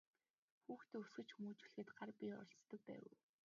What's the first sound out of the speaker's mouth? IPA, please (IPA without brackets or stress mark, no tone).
x